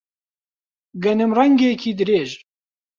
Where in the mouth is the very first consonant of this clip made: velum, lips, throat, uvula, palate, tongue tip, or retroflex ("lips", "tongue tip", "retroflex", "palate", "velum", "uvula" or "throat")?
velum